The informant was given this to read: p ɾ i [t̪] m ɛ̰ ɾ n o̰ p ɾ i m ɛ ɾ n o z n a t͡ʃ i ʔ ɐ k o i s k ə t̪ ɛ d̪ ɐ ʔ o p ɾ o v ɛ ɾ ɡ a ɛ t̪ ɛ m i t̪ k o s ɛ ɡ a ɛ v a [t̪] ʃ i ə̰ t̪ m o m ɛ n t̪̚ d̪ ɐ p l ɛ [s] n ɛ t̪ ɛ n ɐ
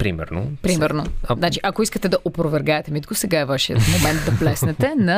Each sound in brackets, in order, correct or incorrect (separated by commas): incorrect, incorrect, correct